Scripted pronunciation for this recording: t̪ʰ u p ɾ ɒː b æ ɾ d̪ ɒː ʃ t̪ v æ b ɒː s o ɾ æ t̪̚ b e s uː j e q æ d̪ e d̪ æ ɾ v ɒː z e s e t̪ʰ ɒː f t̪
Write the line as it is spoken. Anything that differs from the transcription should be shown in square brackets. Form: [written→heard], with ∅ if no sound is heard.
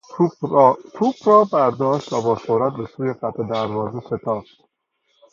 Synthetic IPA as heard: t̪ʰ u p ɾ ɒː b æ ɾ d̪ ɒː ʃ t̪ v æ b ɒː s o ɾ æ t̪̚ b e s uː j e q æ [d̪→t̪] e d̪ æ ɾ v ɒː z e s e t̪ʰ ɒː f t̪